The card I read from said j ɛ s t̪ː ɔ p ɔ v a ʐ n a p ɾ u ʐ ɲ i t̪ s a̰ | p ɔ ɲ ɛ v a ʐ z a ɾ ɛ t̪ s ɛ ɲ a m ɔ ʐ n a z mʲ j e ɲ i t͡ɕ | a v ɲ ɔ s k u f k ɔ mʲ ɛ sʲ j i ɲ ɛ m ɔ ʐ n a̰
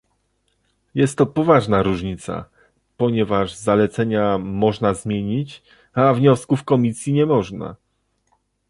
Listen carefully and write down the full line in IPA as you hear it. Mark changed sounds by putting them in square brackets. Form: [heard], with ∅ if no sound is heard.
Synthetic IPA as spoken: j ɛ s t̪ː ɔ p ɔ v a ʐ n a [∅] ɾ u ʐ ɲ i t̪ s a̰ | p ɔ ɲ ɛ v a ʐ z a [l] ɛ t̪ s ɛ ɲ a m ɔ ʐ n a z mʲ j e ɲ i t͡ɕ | a v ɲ ɔ s k u f k ɔ mʲ [i] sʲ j i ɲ ɛ m ɔ ʐ n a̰